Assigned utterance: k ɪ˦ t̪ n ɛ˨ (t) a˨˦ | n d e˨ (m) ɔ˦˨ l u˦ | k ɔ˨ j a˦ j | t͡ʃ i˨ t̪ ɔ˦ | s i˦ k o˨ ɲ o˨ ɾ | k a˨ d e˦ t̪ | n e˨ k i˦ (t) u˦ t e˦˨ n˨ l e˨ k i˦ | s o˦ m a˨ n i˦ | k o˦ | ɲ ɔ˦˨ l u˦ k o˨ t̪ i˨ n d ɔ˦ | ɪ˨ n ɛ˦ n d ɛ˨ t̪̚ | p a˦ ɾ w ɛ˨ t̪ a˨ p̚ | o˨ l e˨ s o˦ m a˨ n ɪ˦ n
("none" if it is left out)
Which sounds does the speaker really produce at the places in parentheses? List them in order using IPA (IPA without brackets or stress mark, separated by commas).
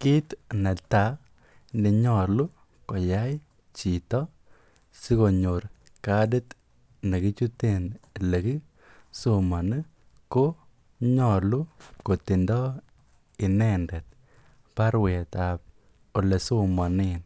t, ɲ, t͡ʃ